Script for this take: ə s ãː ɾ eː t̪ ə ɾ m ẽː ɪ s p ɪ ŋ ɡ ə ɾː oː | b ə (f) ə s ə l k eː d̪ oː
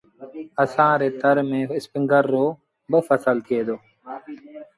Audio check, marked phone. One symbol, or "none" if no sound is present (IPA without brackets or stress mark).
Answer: f